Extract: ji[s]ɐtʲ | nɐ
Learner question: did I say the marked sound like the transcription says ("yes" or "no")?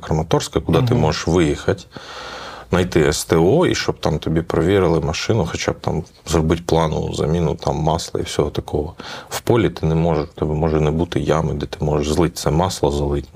no